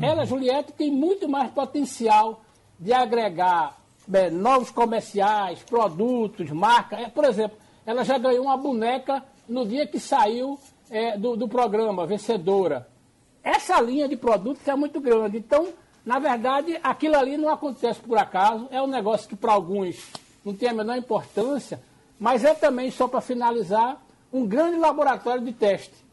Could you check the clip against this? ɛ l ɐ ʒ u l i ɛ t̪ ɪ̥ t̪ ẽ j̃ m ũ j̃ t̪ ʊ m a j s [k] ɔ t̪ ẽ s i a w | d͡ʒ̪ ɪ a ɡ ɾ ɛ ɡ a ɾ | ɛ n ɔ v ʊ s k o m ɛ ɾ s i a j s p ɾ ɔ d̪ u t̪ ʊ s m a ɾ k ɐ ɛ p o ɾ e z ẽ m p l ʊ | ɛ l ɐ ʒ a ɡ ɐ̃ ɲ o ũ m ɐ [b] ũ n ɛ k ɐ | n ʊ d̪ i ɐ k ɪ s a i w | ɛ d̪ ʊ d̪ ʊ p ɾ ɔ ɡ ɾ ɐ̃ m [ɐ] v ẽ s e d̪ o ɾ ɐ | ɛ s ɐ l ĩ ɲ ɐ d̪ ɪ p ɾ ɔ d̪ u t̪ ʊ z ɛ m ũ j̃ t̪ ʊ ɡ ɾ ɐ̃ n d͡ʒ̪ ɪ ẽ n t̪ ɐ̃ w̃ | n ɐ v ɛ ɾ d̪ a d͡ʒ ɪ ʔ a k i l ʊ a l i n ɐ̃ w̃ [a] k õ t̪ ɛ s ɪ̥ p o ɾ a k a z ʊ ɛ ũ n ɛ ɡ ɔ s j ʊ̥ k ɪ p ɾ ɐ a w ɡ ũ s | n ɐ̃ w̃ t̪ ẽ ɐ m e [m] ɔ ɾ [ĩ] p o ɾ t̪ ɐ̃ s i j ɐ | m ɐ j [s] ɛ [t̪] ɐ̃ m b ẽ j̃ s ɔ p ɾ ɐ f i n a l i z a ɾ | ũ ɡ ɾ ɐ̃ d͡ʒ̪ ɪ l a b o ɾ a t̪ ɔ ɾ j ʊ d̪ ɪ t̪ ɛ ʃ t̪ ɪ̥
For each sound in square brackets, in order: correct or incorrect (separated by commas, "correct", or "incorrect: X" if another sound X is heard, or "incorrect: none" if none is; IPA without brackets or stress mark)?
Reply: incorrect: p, correct, correct, correct, incorrect: n, correct, incorrect: z, correct